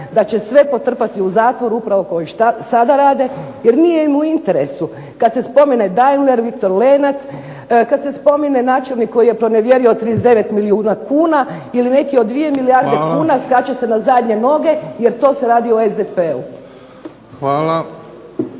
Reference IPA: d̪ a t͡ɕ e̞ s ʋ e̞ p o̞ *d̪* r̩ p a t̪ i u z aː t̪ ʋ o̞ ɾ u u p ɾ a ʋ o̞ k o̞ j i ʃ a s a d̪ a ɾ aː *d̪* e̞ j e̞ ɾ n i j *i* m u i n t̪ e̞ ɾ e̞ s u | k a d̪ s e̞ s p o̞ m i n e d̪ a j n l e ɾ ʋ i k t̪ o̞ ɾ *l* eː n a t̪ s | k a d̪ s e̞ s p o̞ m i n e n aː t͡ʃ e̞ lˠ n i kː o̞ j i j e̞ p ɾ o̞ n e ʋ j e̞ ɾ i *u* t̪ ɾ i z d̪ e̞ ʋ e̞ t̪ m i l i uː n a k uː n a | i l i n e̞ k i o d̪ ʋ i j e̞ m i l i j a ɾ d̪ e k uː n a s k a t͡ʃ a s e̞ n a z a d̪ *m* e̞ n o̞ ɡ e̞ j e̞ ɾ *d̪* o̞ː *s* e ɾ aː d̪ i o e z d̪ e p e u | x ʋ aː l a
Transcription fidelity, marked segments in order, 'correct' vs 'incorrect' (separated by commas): incorrect, correct, incorrect, correct, incorrect, incorrect, incorrect, correct